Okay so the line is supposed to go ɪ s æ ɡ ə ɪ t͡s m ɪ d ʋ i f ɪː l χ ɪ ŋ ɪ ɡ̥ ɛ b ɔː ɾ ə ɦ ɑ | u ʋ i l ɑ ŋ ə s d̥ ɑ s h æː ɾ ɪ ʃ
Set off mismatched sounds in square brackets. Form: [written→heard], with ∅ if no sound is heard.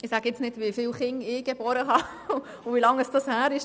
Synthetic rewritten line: ɪ s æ ɡ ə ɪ t͡s [m→n] ɪ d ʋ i f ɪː l χ ɪ ŋ ɪ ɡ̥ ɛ b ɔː ɾ ə ɦ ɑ | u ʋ i l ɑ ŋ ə s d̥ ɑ s h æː ɾ ɪ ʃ